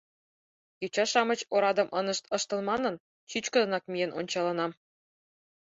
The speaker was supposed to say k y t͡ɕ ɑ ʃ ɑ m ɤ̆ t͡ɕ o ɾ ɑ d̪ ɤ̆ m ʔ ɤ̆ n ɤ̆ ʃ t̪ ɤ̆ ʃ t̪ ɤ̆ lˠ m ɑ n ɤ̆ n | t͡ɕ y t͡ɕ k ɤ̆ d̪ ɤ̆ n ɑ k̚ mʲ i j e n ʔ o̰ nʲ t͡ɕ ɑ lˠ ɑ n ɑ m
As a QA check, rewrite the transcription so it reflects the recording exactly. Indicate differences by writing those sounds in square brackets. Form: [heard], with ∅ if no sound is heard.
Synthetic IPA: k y t͡ɕ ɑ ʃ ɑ m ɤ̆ t͡ɕ o ɾ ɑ d̪ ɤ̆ m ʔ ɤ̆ n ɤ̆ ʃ t̪ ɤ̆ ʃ t̪ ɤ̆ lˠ m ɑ n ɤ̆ n | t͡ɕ y t͡ɕ k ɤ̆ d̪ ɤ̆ n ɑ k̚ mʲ i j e n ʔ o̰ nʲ t͡ɕ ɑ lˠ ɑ n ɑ m